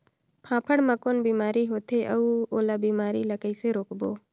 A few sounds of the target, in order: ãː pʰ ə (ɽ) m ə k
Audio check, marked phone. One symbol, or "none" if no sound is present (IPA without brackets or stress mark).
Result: ɽ